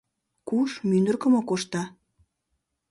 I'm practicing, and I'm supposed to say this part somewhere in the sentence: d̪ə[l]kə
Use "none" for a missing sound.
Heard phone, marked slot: r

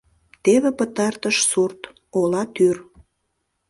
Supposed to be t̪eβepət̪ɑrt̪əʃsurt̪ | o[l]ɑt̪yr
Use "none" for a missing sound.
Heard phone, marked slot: l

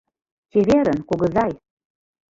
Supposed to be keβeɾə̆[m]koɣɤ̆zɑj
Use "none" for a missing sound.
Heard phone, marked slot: n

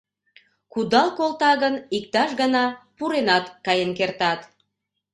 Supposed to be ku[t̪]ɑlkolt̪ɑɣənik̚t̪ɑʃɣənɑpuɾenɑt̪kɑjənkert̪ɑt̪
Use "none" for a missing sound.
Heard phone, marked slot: d̪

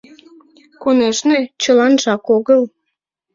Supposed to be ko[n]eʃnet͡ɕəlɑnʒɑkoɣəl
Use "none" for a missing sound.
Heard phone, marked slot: n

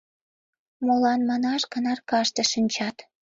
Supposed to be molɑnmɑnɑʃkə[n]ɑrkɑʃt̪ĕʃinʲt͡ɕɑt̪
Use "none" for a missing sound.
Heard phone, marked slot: n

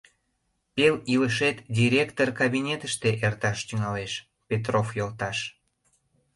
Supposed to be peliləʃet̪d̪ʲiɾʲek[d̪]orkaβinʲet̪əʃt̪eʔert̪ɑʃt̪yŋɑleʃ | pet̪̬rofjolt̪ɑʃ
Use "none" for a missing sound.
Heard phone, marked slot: t̪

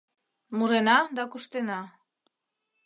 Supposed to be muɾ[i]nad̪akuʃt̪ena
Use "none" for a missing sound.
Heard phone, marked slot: e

